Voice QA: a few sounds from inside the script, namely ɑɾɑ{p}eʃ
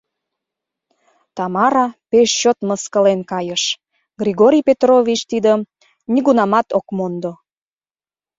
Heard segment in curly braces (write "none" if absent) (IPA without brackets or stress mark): p